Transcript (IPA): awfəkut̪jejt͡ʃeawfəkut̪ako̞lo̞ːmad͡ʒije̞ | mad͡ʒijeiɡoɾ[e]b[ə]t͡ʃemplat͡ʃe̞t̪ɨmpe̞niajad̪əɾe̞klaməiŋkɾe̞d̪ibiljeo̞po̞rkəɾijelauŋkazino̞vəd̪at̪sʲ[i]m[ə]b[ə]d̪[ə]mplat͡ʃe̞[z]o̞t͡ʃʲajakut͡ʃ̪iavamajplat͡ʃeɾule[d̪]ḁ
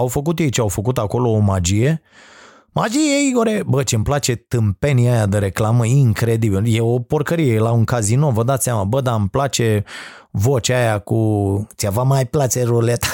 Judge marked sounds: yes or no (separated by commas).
yes, yes, no, no, yes, no, no, no